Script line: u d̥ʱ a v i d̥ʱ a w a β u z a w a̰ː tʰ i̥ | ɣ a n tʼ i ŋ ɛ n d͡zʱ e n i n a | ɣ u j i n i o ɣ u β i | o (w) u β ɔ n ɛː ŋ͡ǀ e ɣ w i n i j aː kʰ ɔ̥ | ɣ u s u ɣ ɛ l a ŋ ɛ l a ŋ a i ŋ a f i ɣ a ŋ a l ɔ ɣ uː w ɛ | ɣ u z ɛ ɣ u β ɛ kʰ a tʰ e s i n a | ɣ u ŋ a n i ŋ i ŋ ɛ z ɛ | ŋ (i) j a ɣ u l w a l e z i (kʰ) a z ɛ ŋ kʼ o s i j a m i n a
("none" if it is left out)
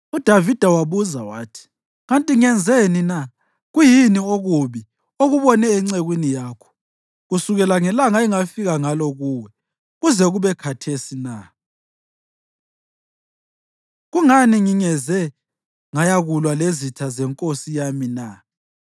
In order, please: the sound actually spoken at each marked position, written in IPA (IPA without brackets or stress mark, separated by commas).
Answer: ɣ, a, tʰ